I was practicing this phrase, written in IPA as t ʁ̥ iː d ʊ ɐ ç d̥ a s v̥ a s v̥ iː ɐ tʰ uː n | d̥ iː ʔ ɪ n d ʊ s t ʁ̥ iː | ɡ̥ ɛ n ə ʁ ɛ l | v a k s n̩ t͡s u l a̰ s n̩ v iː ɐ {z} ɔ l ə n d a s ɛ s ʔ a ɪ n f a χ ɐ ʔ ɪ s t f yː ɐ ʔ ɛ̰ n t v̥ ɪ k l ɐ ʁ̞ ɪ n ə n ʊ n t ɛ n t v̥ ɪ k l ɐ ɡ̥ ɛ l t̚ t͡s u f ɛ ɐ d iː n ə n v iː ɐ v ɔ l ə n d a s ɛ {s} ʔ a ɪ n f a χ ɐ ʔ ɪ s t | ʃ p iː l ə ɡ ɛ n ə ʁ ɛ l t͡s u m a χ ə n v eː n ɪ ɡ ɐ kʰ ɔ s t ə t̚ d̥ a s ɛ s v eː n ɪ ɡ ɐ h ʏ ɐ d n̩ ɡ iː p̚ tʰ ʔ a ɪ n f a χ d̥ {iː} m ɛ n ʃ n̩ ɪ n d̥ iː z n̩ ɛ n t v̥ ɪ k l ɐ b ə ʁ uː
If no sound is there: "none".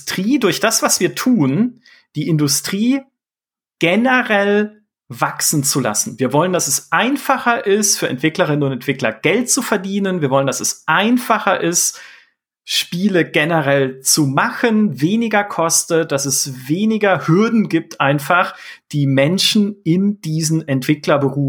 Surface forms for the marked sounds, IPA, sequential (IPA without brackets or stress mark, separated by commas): v, s, iː